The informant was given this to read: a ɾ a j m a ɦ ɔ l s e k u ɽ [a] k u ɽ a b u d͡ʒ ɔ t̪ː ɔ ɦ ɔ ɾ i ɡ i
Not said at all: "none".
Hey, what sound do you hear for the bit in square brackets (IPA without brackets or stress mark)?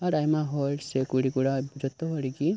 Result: i